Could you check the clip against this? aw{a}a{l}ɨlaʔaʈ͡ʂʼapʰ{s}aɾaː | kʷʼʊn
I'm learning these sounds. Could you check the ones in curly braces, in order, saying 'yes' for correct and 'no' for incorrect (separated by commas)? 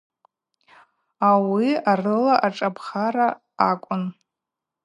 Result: no, no, no